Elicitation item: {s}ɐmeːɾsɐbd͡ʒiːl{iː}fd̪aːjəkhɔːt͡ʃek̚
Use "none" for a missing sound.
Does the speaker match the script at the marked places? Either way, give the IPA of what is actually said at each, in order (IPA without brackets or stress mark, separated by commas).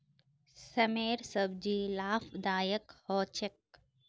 s, aː